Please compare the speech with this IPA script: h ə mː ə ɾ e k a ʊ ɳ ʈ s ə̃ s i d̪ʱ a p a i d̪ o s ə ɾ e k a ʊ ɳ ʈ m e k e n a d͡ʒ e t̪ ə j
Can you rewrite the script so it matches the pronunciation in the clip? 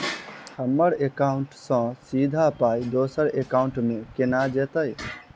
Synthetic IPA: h ə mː ə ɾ e k a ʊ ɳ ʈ s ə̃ s i d̪ʱ a p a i d̪ o s ə ɾ e k a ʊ ɳ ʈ m e k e n a d͡ʒ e t̪ ə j